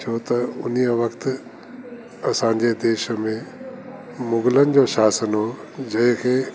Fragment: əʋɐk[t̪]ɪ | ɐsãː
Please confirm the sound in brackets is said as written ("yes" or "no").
yes